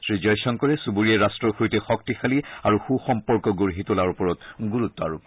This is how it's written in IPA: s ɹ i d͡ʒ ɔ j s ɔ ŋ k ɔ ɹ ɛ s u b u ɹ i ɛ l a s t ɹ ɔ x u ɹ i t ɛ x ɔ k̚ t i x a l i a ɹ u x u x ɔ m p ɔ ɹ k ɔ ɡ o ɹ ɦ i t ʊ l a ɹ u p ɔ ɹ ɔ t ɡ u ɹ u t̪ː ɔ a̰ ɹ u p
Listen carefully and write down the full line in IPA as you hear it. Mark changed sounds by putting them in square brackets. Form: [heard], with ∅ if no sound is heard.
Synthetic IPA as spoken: s ɹ i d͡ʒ ɔ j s ɔ ŋ k ɔ ɹ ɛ s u b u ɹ i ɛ [ɹ] a s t ɹ ɔ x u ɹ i t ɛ x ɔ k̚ t i x a l i a ɹ u x u x ɔ m p ɔ ɹ k ɔ ɡ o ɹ ɦ i t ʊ l a ɹ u p ɔ ɹ ɔ t ɡ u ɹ u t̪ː ɔ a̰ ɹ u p

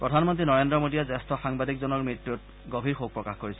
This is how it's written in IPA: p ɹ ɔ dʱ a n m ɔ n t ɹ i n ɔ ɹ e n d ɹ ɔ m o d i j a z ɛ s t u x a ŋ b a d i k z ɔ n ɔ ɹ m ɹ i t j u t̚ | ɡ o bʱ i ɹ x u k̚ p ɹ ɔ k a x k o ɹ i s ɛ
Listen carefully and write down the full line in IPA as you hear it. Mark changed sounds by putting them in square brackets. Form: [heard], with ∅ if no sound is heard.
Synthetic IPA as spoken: p ɹ ɔ dʱ a n m ɔ n t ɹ i n ɔ ɹ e n d ɹ ɔ m o d i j a z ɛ s t [ɔ] x a ŋ b a d i k z ɔ n ɔ ɹ m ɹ i t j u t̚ | ɡ o bʱ i ɹ x [o] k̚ p ɹ ɔ k a x k o ɹ i s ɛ

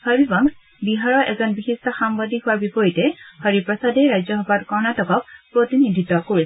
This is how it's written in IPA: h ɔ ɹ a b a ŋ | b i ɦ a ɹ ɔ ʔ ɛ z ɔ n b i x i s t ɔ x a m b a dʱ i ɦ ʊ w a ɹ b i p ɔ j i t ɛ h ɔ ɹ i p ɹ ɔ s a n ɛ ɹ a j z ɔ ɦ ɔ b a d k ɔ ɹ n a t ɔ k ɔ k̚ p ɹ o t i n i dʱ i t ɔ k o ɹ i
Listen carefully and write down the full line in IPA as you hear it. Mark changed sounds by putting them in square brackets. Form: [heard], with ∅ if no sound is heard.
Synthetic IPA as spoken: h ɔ ɹ [i] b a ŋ | b i ɦ a ɹ ɔ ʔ ɛ z ɔ n b i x i s t ɔ x a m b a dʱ i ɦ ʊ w a ɹ b i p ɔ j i t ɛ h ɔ ɹ i p ɹ ɔ s a [d] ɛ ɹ a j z ɔ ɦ ɔ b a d k ɔ ɹ n a t ɔ k ɔ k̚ p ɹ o t i n i dʱ i t ɔ k o ɹ i

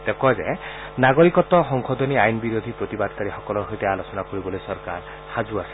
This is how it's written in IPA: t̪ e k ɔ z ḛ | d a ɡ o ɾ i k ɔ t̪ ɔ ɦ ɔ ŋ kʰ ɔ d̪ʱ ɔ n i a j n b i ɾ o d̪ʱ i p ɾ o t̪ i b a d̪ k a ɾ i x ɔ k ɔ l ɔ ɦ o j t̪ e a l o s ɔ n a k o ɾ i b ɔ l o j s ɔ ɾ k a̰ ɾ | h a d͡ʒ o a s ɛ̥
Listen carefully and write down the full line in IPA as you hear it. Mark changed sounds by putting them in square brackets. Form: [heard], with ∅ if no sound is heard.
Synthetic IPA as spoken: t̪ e k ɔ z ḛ | [n] a ɡ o ɾ i k ɔ t̪ ɔ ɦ ɔ ŋ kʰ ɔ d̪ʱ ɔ n i a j n b i ɾ o d̪ʱ i p ɾ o t̪ i b a d̪ k a ɾ i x ɔ k ɔ l ɔ ɦ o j t̪ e a l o s ɔ n a k o ɾ i b ɔ l o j s ɔ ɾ k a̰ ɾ | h a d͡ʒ [u] a s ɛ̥

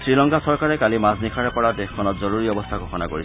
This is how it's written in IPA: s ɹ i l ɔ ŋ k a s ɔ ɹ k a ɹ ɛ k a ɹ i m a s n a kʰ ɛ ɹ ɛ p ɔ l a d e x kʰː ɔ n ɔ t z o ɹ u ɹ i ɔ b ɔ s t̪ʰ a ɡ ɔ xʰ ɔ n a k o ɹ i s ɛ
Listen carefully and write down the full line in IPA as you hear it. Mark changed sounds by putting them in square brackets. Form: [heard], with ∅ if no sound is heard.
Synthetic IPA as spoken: s ɹ i l ɔ ŋ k a s ɔ ɹ k a ɹ ɛ k a [l] i m a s n [i] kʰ [a] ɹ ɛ p ɔ [ɹ] a d e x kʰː ɔ n ɔ t z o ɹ u ɹ i ɔ b ɔ s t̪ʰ a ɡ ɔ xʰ ɔ n a k o ɹ i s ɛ

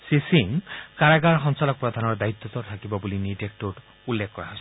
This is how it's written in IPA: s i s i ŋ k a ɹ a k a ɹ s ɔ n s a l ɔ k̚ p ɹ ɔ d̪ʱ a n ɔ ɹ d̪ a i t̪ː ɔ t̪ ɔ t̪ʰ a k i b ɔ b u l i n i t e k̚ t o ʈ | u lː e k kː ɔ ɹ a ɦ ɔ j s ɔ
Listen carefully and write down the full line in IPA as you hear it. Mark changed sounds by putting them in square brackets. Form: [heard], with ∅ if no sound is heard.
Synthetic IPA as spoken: s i s i ŋ k a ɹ a [ɡ] a ɹ [x] ɔ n s a l ɔ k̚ p ɹ ɔ d̪ʱ a n ɔ ɹ d̪ a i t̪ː ɔ t̪ ɔ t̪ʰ a k i b ɔ b u l i n i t e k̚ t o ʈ | u lː e k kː ɔ ɹ a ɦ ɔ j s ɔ

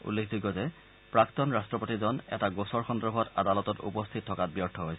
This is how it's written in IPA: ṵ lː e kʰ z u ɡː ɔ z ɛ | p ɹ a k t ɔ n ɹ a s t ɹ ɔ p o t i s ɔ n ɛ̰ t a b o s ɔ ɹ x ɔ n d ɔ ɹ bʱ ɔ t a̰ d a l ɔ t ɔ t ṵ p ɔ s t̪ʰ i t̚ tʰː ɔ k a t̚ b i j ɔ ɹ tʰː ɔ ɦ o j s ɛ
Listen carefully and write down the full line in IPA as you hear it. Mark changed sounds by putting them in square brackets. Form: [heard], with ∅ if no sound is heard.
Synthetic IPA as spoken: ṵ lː e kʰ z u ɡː ɔ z ɛ | p ɹ a k t ɔ n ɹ a s t ɹ ɔ p o t i [z] ɔ n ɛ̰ t a [ɡ] o s ɔ ɹ x ɔ n d ɔ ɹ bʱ ɔ t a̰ d a l ɔ t ɔ t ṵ p ɔ s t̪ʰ i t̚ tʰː ɔ k a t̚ b i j ɔ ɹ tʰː ɔ ɦ o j s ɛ

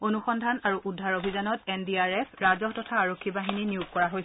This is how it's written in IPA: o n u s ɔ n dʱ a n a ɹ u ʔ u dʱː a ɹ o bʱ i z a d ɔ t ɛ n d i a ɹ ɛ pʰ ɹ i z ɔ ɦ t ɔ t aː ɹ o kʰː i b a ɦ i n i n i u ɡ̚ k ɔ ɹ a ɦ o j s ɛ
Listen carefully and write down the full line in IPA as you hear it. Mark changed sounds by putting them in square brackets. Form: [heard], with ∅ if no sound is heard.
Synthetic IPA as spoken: o n u [x] ɔ n dʱ a n a ɹ u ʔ u dʱː a ɹ o bʱ i z a [n] ɔ t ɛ n d i a ɹ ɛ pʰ ɹ [a] z ɔ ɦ t ɔ [tʰ] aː ɹ o kʰː i b a ɦ i n i n i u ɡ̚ k ɔ ɹ a ɦ o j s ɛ

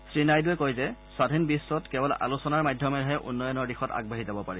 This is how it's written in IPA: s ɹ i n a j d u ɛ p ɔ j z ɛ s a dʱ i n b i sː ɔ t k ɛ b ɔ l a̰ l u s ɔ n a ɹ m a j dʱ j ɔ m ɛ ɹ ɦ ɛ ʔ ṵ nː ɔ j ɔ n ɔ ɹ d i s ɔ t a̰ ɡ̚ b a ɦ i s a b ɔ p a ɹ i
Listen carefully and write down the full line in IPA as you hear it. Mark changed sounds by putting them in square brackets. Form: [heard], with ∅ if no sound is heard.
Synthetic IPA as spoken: s ɹ i n a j d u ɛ [k] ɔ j z ɛ s a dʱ i n b i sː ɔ t k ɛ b ɔ l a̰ l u s ɔ n a ɹ m a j dʱ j ɔ m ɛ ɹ ɦ ɛ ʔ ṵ nː ɔ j ɔ n ɔ ɹ d i [x] ɔ t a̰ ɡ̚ b a ɦ i [z] a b ɔ p a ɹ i

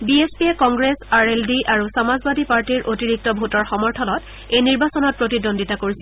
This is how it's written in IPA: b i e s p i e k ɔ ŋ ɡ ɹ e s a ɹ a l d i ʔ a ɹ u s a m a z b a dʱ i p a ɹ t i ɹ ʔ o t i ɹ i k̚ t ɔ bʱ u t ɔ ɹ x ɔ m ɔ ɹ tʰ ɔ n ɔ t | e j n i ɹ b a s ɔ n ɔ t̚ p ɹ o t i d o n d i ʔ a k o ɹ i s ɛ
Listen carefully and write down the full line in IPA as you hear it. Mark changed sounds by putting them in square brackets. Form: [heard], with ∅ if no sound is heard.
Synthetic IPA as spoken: b i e s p i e k ɔ ŋ ɡ ɹ e s a ɹ [e] l d i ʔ a ɹ u s a m a z b a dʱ i p a ɹ t i ɹ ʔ o t i ɹ i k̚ t ɔ bʱ u t ɔ ɹ x ɔ m ɔ ɹ tʰ ɔ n ɔ t | e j n i ɹ b a s ɔ n ɔ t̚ p ɹ o t i d o n d i [t] a k o ɹ i s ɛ

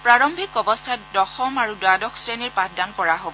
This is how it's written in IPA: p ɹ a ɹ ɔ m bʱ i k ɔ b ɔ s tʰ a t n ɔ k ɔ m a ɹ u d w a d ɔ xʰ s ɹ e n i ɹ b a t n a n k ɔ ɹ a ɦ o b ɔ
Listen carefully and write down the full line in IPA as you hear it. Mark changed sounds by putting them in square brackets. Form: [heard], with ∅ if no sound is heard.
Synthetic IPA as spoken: p ɹ a ɹ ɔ m bʱ i k ɔ b ɔ s tʰ a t [d] ɔ [x] ɔ m a ɹ u d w a d ɔ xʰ s ɹ e n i ɹ [p] a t [d] a n k ɔ ɹ a ɦ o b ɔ

